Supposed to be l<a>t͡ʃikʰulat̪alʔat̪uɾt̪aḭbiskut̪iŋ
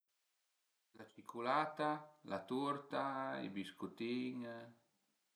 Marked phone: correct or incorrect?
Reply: correct